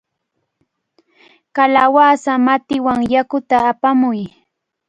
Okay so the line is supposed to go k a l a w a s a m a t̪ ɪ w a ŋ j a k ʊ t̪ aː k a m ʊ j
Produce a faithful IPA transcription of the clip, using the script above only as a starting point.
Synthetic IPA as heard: k a l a w a s a m a t̪ ɪ w a ŋ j a k ʊ t̪ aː p a m ʊ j